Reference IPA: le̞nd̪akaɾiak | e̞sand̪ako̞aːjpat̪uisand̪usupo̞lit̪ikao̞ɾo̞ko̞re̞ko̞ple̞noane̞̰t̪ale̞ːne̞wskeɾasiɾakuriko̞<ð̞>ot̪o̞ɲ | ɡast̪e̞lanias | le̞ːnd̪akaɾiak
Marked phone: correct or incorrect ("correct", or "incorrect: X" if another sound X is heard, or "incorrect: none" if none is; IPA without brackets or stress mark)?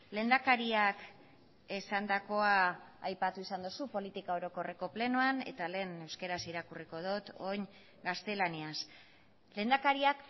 correct